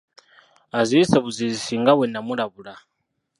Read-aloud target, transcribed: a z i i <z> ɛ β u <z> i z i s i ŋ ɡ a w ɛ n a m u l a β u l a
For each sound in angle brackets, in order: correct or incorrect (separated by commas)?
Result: incorrect, correct